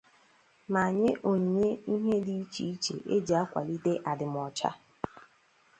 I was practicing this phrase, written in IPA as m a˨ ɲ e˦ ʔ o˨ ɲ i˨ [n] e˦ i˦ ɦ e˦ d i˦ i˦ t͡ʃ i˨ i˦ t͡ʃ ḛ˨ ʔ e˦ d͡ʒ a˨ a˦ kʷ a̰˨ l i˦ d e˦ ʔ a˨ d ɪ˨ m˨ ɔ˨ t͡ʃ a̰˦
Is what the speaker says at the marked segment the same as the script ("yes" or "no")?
no